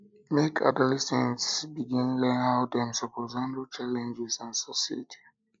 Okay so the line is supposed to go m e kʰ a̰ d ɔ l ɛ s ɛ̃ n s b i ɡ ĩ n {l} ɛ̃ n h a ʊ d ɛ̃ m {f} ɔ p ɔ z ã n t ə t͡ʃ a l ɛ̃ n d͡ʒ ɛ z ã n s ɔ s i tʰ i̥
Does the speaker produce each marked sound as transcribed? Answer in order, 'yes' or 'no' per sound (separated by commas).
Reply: yes, no